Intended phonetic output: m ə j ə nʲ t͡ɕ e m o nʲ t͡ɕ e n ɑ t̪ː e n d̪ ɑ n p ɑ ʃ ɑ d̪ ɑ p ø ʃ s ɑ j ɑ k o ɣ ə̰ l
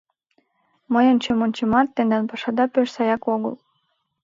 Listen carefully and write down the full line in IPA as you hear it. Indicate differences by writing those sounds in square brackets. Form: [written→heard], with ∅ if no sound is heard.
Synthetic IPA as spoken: m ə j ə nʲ t͡ɕ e m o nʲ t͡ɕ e [n→m] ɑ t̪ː e n d̪ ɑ n p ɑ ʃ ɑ d̪ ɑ p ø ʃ s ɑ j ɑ k o ɣ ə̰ l